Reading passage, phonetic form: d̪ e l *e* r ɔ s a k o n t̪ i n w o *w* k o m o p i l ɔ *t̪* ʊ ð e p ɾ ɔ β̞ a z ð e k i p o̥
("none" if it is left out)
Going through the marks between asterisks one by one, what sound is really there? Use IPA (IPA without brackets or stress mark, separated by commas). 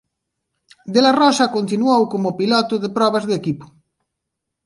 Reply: a, w, t̪